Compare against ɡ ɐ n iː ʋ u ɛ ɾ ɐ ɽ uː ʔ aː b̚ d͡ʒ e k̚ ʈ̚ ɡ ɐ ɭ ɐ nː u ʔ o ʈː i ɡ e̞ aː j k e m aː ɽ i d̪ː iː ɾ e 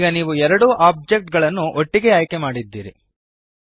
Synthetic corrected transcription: ɡ ɐ n iː ʋ u ɛ ɾ ɐ ɽ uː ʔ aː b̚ d͡ʒ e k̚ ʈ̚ ɡ ɐ ɭ ɐ nː u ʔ o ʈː i ɡ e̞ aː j k e m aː ɽ i d̪ː iː ɾ i